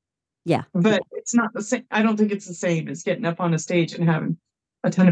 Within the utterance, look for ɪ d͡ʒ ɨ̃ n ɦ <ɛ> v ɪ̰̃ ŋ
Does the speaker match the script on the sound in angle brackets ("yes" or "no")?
no